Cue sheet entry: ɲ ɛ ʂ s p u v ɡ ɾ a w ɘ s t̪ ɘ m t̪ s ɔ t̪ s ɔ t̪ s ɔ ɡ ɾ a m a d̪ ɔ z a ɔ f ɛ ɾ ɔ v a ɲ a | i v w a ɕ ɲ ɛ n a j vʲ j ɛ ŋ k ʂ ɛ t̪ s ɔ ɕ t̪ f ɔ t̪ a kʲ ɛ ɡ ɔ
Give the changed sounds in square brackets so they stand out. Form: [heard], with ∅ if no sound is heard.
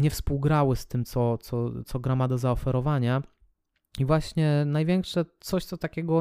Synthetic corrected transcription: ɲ ɛ [f] s p u [w] ɡ ɾ a w ɘ s t̪ ɘ m t̪ s ɔ t̪ s ɔ t̪ s ɔ ɡ ɾ a m a d̪ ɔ z a ɔ f ɛ ɾ ɔ v a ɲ a | i v w a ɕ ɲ ɛ n a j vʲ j ɛ ŋ k ʂ ɛ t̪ s ɔ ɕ t̪ [s] ɔ t̪ a kʲ ɛ ɡ ɔ